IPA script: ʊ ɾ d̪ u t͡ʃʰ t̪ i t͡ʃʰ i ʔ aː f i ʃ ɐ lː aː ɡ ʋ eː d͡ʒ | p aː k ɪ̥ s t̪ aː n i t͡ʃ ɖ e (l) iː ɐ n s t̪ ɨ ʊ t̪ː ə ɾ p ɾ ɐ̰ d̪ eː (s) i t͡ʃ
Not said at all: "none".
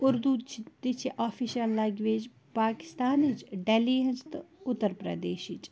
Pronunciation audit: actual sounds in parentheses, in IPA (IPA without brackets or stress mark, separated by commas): l, ʃ